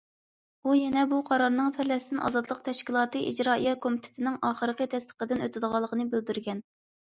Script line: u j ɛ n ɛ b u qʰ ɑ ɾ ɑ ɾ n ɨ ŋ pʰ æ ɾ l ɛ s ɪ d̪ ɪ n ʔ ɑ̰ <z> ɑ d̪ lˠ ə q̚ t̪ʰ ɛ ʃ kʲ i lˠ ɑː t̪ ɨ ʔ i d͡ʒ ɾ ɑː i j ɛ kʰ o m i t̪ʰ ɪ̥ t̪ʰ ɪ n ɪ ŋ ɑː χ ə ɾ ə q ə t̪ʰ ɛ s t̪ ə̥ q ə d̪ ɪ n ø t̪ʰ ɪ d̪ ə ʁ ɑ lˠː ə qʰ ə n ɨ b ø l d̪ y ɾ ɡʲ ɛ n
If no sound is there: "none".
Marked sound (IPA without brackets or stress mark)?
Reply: z